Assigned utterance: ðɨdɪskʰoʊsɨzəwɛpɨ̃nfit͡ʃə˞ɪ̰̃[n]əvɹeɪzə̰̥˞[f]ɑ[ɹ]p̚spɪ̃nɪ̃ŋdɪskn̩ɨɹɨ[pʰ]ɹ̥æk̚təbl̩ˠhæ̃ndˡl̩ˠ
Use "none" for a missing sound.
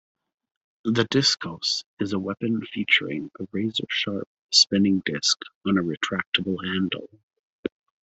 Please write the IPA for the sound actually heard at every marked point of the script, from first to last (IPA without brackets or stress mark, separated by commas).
ŋ, ʃ, ɹ, tʰ